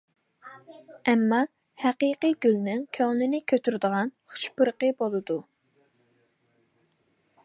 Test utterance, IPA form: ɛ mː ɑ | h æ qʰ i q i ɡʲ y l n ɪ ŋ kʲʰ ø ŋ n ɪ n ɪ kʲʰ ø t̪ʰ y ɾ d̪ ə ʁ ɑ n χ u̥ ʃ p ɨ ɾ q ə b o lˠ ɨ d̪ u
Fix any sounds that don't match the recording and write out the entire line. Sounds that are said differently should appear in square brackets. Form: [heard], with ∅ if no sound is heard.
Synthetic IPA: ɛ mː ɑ | h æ [q] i q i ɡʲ y l n ɪ ŋ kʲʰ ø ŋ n ɪ n ɪ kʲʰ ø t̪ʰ y ɾ d̪ ə ʁ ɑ n χ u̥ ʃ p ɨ ɾ q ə b o lˠ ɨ d̪ u